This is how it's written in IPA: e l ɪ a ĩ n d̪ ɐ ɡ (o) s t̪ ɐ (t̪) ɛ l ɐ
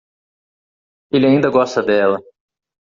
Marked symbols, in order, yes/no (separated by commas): no, no